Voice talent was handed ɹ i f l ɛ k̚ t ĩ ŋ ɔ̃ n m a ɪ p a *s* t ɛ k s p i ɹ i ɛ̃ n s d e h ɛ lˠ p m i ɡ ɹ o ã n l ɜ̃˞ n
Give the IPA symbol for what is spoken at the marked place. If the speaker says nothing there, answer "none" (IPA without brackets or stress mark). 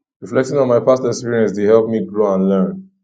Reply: s